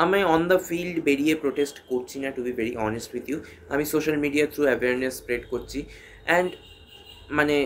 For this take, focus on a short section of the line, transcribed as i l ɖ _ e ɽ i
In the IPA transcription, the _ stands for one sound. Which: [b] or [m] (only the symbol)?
b